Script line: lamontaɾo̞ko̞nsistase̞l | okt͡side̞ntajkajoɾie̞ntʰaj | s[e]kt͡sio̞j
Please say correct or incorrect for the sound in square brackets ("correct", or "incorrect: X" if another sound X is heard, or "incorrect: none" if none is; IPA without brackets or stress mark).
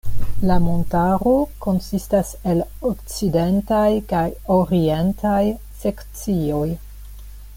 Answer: correct